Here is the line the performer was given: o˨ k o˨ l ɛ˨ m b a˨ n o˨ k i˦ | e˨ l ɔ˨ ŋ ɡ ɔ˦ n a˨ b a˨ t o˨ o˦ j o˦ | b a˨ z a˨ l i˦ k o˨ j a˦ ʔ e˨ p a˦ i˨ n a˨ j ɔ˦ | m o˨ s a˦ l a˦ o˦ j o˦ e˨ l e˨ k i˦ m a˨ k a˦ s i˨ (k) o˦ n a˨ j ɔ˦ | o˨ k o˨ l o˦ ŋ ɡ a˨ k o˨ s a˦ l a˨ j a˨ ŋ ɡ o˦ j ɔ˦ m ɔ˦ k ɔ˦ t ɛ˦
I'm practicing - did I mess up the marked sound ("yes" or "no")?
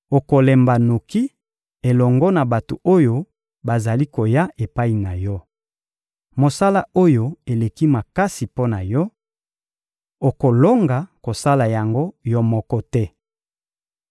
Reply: yes